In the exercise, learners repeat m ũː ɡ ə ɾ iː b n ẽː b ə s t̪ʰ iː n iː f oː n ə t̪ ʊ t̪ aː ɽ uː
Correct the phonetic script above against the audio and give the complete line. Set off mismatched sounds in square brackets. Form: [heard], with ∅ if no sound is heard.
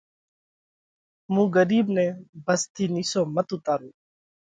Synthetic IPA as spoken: m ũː ɡ ə ɾ iː b n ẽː b ə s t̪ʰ iː n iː [s] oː [m] ə t̪ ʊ t̪ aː [ɾ] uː